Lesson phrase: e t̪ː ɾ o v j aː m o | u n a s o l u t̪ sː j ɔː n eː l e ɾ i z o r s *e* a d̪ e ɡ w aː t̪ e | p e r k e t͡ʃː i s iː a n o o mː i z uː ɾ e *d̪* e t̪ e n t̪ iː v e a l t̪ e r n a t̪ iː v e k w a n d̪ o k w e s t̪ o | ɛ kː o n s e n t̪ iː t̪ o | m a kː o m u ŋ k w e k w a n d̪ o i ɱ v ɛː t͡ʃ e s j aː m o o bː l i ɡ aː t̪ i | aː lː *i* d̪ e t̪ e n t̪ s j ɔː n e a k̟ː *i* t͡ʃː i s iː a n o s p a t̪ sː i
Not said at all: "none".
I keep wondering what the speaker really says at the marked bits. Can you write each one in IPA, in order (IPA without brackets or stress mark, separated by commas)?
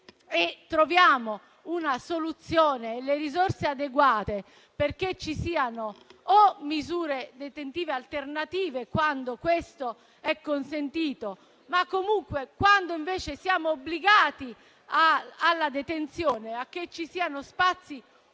e, d̪, a, e